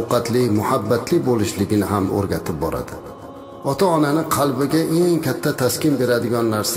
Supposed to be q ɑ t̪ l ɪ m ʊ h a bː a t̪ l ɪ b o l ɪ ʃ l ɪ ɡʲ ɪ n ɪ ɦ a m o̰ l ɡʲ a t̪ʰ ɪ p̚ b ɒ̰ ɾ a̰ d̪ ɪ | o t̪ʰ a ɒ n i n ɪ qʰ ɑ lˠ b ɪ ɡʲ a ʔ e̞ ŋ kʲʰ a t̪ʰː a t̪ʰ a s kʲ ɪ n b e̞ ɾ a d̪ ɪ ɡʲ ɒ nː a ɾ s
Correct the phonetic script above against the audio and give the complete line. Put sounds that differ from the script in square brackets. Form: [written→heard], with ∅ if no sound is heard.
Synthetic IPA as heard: q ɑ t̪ l ɪ m ʊ h a bː a t̪ l ɪ b o l ɪ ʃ l ɪ ɡʲ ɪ n ɪ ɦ a m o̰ [l→ɾ] ɡʲ a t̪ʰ ɪ p̚ b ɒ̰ ɾ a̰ d̪ ɪ | [o→ɒ] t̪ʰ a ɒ n [i→a] n ɪ qʰ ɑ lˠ b ɪ ɡʲ a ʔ e̞ ŋ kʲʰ a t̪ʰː a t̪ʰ a s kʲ ɪ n b e̞ ɾ a d̪ ɪ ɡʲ ɒ nː a ɾ s